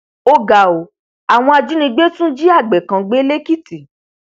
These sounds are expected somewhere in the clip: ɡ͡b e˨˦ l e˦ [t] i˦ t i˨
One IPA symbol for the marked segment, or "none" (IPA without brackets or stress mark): k